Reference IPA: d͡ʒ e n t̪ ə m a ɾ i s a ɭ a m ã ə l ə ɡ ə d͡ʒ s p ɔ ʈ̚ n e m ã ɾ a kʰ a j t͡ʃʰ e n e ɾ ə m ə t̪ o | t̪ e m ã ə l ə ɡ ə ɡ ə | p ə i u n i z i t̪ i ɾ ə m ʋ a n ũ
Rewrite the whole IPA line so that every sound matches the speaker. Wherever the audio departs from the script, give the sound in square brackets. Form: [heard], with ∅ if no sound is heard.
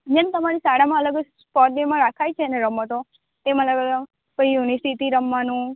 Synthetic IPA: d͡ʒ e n t̪ ə m a ɾ i s a [ɽ] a m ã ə l ə ɡ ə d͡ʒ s p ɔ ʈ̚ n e m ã ɾ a kʰ a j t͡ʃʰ e n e ɾ ə m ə t̪ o | t̪ e m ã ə l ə ɡ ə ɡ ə | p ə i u n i [s] i t̪ i ɾ ə m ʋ a n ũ